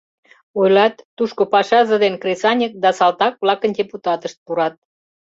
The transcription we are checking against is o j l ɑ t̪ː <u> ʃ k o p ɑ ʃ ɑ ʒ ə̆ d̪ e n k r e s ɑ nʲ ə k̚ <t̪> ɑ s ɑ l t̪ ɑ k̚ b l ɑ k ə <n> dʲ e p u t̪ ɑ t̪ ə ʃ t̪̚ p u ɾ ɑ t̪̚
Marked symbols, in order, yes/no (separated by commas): yes, no, yes